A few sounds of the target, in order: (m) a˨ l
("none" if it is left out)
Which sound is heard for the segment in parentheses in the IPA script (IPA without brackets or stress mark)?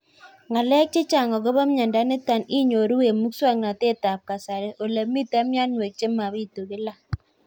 ŋ